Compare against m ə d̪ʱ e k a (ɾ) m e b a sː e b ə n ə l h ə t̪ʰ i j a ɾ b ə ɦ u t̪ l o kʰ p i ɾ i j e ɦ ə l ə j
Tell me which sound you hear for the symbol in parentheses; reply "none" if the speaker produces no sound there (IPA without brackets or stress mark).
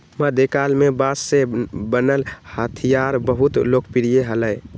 l